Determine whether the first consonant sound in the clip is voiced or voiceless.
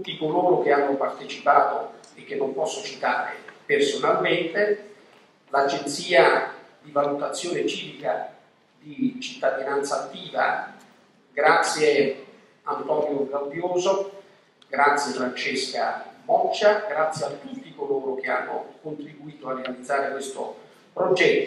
voiceless